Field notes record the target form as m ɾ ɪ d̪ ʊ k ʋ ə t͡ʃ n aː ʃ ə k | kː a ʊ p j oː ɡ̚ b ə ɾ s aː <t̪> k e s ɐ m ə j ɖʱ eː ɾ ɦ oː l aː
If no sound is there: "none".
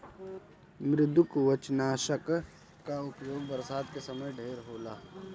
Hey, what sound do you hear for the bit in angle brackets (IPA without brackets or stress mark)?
d̪